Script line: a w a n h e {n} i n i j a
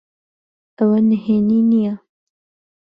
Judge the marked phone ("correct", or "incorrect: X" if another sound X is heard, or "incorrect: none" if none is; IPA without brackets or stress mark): correct